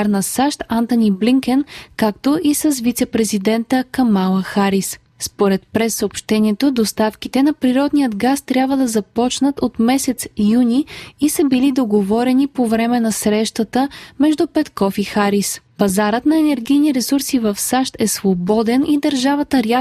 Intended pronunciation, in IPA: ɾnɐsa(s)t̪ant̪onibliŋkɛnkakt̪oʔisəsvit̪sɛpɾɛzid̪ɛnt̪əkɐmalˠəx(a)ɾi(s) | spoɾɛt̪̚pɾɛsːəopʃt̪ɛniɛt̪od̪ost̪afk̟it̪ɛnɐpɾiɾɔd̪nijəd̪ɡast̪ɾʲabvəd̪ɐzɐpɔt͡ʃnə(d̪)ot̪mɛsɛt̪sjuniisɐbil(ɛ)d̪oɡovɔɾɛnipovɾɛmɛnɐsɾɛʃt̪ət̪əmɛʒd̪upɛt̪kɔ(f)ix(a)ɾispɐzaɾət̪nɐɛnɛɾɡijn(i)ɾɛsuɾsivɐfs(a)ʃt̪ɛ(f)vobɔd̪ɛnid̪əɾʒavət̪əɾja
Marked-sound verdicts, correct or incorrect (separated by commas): incorrect, correct, correct, incorrect, incorrect, correct, correct, correct, correct, incorrect